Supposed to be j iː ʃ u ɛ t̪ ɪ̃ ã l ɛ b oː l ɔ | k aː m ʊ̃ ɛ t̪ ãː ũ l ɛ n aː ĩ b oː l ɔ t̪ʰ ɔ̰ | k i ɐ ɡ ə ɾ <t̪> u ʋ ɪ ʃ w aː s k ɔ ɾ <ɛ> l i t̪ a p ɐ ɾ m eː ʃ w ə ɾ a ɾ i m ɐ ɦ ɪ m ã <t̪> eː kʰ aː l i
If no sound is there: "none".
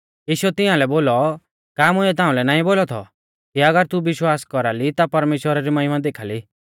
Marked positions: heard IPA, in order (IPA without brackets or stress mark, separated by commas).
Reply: t̪, a, d̪